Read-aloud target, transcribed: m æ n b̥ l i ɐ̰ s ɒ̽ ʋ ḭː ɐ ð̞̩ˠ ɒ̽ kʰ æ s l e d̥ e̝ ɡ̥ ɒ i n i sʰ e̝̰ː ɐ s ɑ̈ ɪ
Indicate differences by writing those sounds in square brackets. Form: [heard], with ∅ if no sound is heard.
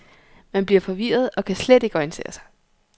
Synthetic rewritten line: m æ n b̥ l i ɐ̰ [f] ɒ̽ ʋ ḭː ɐ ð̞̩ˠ ɒ̽ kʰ æ s l e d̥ e̝ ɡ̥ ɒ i n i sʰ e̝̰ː ɐ s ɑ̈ ɪ